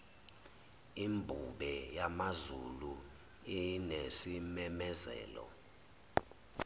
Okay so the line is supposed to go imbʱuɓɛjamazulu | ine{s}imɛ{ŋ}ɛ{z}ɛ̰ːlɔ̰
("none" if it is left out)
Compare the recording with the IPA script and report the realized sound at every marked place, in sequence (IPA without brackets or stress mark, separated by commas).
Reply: s, m, z